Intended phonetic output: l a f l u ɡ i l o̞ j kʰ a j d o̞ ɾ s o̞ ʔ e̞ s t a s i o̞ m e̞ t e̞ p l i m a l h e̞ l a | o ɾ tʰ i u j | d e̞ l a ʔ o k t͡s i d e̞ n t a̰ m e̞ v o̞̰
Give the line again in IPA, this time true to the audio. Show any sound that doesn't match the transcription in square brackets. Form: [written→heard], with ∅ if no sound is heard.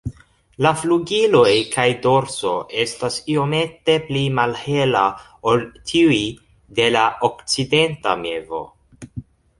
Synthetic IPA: l a f l u ɡ i l o̞ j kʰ a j d o̞ ɾ s o̞ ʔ e̞ s t a s i o̞ m e̞ t e̞ p l i m a l h e̞ l a | o [ɾ→l] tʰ i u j | d e̞ l a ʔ o k t͡s i d e̞ n t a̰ m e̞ v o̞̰